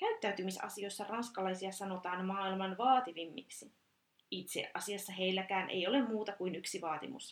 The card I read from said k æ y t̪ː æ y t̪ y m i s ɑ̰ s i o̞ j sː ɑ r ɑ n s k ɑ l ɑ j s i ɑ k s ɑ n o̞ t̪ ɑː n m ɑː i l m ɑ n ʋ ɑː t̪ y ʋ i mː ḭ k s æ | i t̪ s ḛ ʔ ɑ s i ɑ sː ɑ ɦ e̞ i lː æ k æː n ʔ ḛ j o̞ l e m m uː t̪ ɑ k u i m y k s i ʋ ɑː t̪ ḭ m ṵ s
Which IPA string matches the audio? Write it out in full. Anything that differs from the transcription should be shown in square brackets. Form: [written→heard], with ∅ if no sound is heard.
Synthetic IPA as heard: k æ y t̪ː æ y t̪ y m i s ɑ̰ s i o̞ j sː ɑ r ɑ n s k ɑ l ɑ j s i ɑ [k→∅] s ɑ n o̞ t̪ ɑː n m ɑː i l m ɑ n ʋ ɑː t̪ [y→i] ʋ i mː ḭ k s [æ→i] | i t̪ s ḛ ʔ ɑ s i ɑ sː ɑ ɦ e̞ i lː æ k æː n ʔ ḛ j o̞ l e m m uː t̪ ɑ k u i [m→n] y k s i ʋ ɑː t̪ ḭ m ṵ s